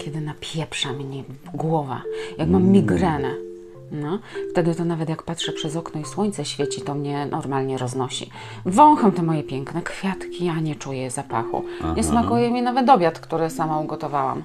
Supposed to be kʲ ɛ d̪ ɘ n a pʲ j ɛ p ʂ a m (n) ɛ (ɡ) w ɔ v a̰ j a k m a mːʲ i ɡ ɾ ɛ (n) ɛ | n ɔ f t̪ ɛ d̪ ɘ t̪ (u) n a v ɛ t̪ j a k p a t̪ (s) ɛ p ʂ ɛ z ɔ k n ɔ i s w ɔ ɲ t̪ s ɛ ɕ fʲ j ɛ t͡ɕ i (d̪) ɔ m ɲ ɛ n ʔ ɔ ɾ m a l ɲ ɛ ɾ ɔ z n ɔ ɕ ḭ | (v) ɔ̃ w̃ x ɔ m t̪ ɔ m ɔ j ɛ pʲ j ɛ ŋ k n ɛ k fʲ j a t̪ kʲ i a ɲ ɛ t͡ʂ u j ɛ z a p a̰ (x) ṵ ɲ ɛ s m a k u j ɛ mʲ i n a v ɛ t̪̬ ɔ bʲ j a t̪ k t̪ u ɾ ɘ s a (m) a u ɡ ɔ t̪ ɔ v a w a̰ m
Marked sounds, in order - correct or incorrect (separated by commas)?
incorrect, correct, correct, incorrect, incorrect, incorrect, correct, correct, correct